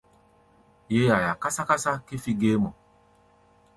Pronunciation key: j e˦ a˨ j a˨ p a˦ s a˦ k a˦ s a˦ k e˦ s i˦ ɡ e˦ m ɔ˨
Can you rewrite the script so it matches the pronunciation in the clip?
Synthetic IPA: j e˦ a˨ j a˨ k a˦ s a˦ k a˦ s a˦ k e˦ f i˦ ɡ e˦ m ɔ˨